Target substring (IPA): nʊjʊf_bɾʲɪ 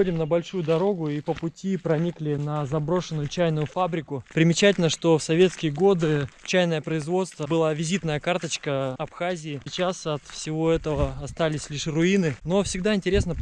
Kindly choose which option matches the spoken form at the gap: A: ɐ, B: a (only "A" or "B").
B